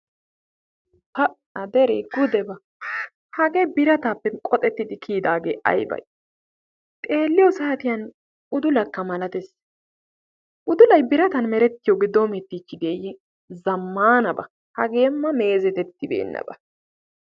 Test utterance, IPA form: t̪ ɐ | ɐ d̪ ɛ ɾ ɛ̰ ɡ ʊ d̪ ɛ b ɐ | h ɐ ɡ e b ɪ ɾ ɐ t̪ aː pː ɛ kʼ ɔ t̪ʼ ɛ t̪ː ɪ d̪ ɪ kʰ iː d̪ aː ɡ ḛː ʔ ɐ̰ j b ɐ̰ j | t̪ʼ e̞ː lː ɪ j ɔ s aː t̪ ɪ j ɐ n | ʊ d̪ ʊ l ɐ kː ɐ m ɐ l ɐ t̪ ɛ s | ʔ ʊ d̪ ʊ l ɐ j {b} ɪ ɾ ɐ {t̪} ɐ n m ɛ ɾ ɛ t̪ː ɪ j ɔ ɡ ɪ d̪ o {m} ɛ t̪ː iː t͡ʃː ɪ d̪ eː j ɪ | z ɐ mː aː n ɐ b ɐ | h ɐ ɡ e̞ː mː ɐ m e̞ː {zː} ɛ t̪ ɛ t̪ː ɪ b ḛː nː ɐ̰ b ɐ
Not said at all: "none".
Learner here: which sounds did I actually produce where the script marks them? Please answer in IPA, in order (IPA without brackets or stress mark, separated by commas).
b, t̪, m, z